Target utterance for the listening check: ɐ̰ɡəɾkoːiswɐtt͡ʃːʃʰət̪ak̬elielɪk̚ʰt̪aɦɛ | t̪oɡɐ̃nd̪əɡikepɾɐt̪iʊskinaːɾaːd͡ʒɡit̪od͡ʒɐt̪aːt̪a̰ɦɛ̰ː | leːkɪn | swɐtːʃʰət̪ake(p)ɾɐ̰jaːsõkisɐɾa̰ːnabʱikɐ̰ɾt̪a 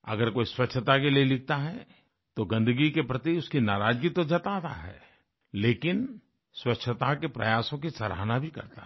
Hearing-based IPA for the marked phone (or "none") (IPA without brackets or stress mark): p